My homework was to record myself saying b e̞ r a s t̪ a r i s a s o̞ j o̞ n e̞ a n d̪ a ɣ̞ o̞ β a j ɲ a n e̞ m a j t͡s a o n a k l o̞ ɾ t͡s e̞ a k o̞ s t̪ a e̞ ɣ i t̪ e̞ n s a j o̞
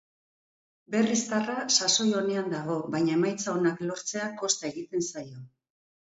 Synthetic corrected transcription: b e̞ r i s t̪ a r a s a s o̞ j o̞ n e̞ a n d̪ a ɣ̞ o̞ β a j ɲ a e̞ m a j t͡s a o n a k l o̞ ɾ t͡s e̞ a k o̞ s t̪ a e̞ ɣ i t̪ e̞ n s a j o̞